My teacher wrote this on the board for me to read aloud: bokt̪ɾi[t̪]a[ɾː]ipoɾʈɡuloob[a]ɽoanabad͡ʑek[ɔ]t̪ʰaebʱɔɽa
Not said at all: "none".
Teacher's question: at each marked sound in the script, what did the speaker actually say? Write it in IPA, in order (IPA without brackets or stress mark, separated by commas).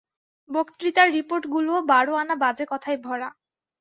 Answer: t̪, ɾː, a, ɔ